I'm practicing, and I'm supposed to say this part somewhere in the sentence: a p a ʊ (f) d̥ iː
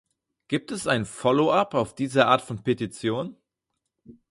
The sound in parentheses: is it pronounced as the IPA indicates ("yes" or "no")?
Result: yes